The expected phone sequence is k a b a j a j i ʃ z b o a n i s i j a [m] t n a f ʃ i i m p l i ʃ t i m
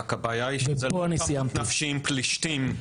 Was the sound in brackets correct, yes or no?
yes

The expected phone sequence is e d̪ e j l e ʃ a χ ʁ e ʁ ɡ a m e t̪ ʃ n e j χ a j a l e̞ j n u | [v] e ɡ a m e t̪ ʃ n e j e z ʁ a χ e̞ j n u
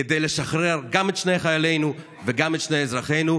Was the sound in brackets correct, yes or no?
yes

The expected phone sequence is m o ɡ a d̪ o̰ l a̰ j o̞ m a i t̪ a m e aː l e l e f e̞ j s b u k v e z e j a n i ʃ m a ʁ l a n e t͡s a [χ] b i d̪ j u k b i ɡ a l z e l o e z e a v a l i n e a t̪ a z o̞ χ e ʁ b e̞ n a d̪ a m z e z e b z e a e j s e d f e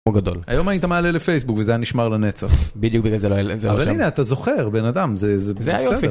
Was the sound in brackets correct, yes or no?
yes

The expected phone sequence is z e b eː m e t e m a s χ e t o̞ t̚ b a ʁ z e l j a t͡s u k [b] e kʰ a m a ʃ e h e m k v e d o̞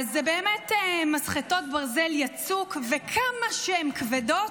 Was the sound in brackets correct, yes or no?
no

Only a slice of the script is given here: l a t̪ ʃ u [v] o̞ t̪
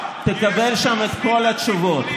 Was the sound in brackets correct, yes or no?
yes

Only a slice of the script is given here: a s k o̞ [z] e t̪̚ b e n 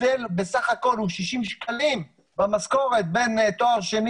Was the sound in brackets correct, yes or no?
no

